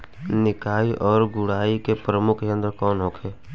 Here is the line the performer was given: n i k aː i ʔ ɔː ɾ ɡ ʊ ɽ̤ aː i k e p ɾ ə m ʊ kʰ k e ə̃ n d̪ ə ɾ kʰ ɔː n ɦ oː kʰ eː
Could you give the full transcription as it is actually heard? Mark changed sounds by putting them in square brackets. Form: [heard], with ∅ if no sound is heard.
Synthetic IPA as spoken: n [ɪ] k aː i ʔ ɔː ɾ ɡ ʊ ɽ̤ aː i k e p ɾ ə m ʊ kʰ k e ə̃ n d̪ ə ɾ [k] ɔː n ɦ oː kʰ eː

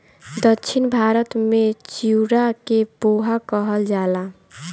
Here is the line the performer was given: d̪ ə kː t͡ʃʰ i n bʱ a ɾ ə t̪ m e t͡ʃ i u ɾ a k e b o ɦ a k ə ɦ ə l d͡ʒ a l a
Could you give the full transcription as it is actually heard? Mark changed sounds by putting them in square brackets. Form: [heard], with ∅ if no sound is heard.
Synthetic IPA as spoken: d̪ ə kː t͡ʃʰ i n bʱ a ɾ ə t̪ m e t͡ʃ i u ɾ a k e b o ɦ a k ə ɦ ə l d͡ʒ a l a

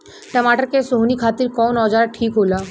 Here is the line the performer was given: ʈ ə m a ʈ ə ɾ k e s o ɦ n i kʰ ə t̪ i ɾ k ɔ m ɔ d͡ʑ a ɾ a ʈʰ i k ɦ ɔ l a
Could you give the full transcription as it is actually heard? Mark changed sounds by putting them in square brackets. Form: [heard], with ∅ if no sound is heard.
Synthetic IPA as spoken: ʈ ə m a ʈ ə ɾ k e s o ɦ n i kʰ [a] t̪ i ɾ k ɔ [n] ɔ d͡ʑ a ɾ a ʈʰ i k ɦ [o] l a

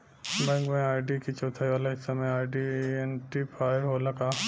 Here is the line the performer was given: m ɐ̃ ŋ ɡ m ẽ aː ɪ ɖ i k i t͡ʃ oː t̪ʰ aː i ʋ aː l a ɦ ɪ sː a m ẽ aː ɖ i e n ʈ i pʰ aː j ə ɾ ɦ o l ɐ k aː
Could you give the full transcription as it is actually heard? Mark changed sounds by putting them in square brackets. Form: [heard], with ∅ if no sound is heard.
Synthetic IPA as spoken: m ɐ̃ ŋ ɡ m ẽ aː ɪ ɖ i k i t͡ʃ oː t̪ʰ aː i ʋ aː l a ɦ ɪ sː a m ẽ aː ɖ i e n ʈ i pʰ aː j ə ɾ ɦ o l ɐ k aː

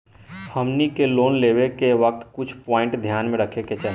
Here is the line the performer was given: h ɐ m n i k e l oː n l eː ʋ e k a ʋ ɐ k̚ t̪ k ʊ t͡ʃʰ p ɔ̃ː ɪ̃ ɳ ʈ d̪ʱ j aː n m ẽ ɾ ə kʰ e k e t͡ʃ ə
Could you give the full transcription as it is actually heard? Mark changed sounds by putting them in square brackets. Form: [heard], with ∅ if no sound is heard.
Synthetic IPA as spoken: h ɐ m n i k e l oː n l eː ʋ e k [e] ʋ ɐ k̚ t̪ k ʊ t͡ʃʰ p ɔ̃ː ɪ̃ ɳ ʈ d̪ʱ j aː n m ẽ ɾ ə kʰ e k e t͡ʃ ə

